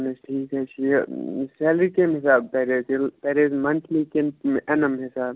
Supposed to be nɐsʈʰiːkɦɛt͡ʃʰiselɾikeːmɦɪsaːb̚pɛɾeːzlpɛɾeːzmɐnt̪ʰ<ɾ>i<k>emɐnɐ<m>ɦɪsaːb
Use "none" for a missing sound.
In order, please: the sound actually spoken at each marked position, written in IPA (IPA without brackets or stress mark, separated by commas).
l, k, m